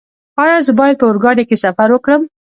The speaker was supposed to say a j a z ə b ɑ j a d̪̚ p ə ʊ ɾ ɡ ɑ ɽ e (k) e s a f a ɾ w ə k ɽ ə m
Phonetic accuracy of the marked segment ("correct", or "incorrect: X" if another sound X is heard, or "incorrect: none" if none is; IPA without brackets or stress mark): correct